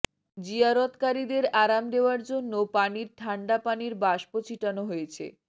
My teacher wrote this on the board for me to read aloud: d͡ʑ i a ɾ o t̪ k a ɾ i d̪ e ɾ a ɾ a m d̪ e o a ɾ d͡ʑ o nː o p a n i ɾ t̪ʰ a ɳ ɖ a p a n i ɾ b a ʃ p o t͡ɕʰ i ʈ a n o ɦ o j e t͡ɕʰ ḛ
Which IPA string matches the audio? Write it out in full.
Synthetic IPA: d͡ʑ i a ɾ o t̪ k a ɾ i d̪ e ɾ a ɾ a m d̪ e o a ɾ d͡ʑ o nː o p a n i ɾ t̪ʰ a ɳ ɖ a p a n i ɾ b a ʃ p o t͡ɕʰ i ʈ a n o ɦ o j e t͡ɕʰ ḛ